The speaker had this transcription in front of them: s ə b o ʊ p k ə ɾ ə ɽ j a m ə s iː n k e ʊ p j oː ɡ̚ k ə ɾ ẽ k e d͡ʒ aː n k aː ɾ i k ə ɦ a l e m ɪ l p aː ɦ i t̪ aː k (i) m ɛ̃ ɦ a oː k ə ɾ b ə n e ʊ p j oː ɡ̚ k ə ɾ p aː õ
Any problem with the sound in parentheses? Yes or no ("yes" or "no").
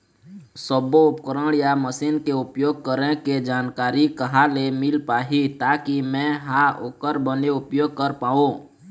no